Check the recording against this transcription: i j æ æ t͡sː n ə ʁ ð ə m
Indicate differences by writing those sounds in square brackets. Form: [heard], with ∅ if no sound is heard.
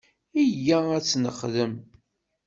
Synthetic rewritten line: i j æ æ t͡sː n ə [χ] ð ə m